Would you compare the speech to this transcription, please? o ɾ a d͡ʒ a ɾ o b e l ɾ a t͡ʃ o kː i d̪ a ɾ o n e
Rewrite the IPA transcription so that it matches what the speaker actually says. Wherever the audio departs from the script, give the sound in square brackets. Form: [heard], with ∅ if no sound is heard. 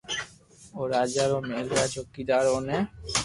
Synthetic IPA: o ɾ a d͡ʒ a ɾ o [m] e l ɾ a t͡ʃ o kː i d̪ a ɾ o n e